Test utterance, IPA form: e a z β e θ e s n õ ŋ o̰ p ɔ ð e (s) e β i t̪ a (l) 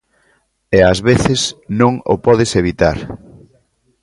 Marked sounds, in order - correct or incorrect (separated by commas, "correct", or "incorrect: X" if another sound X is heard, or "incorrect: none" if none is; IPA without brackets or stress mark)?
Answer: correct, incorrect: ɾ